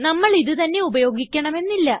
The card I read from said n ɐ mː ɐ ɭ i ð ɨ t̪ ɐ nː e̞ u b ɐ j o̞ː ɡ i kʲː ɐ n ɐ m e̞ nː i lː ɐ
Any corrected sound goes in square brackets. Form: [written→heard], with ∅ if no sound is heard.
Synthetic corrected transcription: n ɐ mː ɐ ɭ i ð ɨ t̪ ɐ nː e̞ u b ɐ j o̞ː ɡ i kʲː ɐ [n→ɳ] ɐ m e̞ nː i lː ɐ

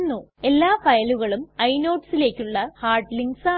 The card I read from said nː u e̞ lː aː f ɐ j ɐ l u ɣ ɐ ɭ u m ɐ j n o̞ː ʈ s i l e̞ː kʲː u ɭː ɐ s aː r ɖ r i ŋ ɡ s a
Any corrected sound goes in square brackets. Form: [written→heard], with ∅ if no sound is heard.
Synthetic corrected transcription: nː u e̞ lː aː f ɐ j ɐ l u ɣ ɐ ɭ u m ɐ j n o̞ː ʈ s i l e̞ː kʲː u ɭː ɐ [s→h] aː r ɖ [r→l] i ŋ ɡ s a

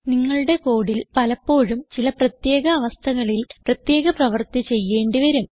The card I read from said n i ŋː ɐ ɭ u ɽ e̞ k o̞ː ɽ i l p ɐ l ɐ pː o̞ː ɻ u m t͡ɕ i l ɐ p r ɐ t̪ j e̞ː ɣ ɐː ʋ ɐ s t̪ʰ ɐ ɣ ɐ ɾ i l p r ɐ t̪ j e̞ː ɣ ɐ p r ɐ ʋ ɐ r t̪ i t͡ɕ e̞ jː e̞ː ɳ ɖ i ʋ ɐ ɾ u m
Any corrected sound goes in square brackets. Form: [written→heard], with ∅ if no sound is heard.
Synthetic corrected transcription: n i ŋː ɐ ɭ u ɽ e̞ k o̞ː ɽ i l p ɐ l ɐ pː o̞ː ɻ u m t͡ɕ i l ɐ p r ɐ t̪ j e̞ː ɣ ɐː ʋ ɐ s t̪ʰ ɐ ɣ ɐ [ɾ→ɭ] i l p r ɐ t̪ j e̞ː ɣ ɐ p r ɐ ʋ ɐ r t̪ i t͡ɕ e̞ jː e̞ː ɳ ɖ i ʋ ɐ ɾ u m

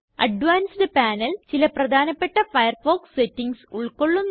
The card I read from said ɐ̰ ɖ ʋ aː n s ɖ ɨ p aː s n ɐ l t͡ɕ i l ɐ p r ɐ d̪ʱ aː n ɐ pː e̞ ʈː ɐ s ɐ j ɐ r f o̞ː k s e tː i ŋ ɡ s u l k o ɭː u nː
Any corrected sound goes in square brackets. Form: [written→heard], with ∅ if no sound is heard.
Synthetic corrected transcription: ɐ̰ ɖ ʋ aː n s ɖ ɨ p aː [s→∅] n ɐ l t͡ɕ i l ɐ p r ɐ d̪ʱ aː n ɐ pː e̞ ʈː ɐ [s→f] ɐ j ɐ r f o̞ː k s e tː i ŋ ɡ s u [l→ɭ] k o ɭː u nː

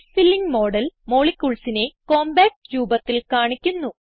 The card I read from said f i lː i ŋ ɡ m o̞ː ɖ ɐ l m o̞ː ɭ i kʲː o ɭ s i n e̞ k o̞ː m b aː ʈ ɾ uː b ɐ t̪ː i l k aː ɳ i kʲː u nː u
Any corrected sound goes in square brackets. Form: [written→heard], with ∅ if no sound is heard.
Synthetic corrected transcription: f i lː i ŋ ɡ m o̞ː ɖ ɐ l m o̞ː ɭ i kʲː [o→u] ɭ s i n e̞ k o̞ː m b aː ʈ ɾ uː b ɐ t̪ː i l k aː ɳ i kʲː u nː u

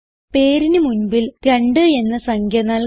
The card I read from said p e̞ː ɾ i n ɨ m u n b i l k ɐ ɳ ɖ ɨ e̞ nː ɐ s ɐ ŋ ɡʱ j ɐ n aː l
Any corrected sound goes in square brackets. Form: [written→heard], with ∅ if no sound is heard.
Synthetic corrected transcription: p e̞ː ɾ i n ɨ m u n b i l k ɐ ɳ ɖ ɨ e̞ nː ɐ s ɐ ŋ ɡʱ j ɐ n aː l

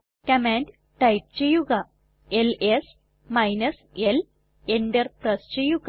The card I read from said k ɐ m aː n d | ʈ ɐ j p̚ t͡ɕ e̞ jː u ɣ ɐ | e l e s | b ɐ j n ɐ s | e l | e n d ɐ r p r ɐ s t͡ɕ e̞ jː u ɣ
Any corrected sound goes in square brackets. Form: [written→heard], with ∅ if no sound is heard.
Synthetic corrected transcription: k ɐ m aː n d | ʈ ɐ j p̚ t͡ɕ e̞ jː u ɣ ɐ | e l e s | [b→m] ɐ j n ɐ s | e l | e n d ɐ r p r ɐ s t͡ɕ e̞ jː u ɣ

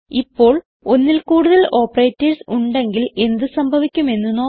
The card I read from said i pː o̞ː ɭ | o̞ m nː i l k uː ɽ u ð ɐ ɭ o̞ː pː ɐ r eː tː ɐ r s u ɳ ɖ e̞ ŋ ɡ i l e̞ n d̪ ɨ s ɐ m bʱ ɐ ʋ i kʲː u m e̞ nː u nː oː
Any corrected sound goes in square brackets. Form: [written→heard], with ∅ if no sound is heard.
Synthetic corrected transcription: i pː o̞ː ɭ | o̞ [m→∅] nː i l k uː ɽ u ð ɐ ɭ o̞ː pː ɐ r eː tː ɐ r s u ɳ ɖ e̞ ŋ ɡ i l e̞ n d̪ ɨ s ɐ m bʱ ɐ ʋ i kʲː u m e̞ nː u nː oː

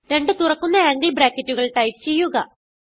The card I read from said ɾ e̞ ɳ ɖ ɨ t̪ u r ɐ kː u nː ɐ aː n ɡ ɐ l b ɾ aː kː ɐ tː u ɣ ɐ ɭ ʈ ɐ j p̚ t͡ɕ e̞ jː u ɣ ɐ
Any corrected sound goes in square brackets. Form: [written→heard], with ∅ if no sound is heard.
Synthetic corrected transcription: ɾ e̞ ɳ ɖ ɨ t̪ u r ɐ kː u nː ɐ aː [n→ŋ] ɡ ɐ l b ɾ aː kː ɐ tː u ɣ ɐ ɭ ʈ ɐ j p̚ t͡ɕ e̞ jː u ɣ ɐ

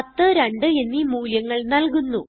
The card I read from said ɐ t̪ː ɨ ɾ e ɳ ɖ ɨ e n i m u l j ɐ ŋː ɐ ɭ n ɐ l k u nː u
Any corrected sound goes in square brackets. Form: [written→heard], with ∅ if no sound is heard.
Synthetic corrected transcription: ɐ t̪ː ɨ ɾ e ɳ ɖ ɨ e [n→nː] i m [u→uː] l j ɐ ŋː ɐ ɭ n ɐ l k u nː u

